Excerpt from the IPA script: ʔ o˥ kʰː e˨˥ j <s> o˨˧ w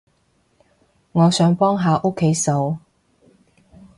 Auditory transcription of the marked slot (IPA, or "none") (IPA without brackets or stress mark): s